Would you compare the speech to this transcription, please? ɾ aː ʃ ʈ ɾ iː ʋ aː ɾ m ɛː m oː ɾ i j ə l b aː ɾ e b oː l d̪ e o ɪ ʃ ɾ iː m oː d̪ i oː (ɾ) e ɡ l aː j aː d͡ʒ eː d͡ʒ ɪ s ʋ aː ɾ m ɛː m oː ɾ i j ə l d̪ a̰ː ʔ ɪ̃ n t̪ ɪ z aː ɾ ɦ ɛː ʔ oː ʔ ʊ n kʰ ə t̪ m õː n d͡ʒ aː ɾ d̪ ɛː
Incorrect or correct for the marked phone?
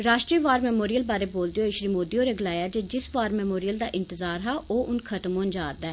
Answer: correct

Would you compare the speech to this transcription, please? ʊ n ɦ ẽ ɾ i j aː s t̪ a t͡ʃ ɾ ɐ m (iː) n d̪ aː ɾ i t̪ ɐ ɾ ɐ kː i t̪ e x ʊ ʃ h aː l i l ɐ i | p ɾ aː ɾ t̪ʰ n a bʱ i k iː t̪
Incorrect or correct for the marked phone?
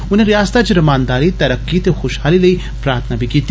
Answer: incorrect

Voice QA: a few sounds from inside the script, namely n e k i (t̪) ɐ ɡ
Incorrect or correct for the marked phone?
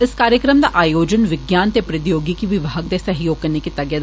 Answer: correct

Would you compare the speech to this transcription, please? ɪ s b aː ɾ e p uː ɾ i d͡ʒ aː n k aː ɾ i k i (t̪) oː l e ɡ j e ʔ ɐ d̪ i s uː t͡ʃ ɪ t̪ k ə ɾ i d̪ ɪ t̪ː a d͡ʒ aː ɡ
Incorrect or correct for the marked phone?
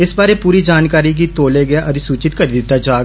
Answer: correct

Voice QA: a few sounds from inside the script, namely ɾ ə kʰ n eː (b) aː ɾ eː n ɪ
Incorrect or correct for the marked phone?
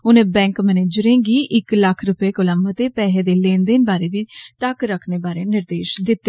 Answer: correct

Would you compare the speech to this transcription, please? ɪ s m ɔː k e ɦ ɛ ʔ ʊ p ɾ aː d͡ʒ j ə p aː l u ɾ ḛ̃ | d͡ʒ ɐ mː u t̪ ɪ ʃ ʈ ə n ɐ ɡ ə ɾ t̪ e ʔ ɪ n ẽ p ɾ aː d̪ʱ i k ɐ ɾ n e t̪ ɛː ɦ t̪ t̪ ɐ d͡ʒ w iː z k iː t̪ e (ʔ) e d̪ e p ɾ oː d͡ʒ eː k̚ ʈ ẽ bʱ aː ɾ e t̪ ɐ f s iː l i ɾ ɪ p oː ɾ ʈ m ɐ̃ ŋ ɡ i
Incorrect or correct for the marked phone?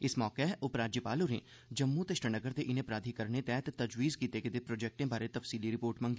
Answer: incorrect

